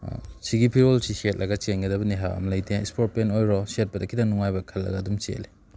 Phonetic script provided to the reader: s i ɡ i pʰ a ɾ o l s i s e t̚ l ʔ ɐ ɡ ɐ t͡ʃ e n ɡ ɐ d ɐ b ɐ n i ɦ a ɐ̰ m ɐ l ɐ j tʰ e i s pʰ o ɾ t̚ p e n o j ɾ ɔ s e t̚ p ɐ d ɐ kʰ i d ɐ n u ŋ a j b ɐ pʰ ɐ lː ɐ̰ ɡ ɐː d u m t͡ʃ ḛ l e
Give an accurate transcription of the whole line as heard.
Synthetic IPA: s i ɡ i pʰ i ɾ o l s i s e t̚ l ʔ ɐ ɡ ɐ t͡ʃ e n ɡ ɐ d ɐ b ɐ n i ɦ a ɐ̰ m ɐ l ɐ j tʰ e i s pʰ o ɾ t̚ p e n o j ɾ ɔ s e t̚ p ɐ d ɐ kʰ i d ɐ n u ŋ a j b ɐ kʰ ɐ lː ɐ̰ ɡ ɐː d u m t͡ʃ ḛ l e